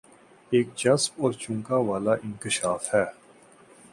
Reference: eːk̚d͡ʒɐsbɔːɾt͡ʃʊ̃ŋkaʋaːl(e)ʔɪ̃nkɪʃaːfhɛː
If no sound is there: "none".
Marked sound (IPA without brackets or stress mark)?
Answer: a